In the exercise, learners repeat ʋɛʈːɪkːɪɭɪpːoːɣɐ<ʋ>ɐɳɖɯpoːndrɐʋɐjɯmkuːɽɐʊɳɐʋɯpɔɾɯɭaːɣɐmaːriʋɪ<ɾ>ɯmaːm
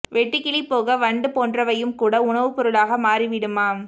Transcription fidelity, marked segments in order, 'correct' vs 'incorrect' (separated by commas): correct, incorrect